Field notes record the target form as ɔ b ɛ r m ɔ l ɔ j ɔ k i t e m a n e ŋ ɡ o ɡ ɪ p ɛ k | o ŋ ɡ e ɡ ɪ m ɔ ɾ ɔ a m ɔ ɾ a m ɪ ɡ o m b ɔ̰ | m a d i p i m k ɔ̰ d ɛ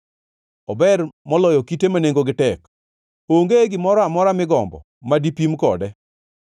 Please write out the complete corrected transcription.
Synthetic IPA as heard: ɔ b ɛ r m ɔ l ɔ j ɔ k i t e m a n e ŋ ɡ o ɡ ɪ t ɛ k | o ŋ ɡ e ɡ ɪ m ɔ ɾ ɔ a m ɔ ɾ a m ɪ ɡ ɔ m b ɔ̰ | m a d i p i m k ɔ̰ d ɛ